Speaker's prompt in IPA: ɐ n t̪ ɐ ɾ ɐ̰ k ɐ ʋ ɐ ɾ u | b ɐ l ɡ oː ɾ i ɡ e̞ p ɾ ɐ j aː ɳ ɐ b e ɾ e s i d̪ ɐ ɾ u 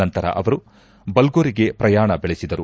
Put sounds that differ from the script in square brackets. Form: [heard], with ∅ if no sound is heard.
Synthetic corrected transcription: ɐ n t̪ ɐ ɾ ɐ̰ [ʔ] ɐ ʋ ɐ ɾ u | b ɐ l ɡ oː ɾ i ɡ e̞ p ɾ ɐ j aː ɳ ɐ b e [ɭ] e s i d̪ ɐ ɾ u

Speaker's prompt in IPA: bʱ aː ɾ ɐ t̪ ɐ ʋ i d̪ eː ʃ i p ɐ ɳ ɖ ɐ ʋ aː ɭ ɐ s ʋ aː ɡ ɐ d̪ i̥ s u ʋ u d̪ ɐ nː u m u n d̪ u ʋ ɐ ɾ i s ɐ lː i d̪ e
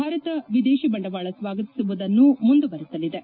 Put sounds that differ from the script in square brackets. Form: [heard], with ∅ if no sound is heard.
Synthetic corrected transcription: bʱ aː ɾ ɐ t̪ ɐ ʋ i d̪ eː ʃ i [b] ɐ ɳ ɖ ɐ ʋ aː ɭ ɐ s ʋ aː ɡ ɐ [t̪] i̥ s u ʋ u d̪ ɐ nː u m u n d̪ u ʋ ɐ ɾ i s ɐ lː i d̪ e

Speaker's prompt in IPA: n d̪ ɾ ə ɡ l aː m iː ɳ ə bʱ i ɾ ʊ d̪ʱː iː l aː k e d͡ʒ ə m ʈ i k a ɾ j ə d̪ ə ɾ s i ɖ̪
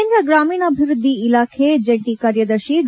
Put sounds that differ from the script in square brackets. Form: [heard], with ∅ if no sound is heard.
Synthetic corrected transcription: n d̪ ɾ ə ɡ [ɾ] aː m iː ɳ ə bʱ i ɾ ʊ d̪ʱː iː l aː [kʰ] e d͡ʒ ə [ɳ] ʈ i k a ɾ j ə d̪ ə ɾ [ʃ] i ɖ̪

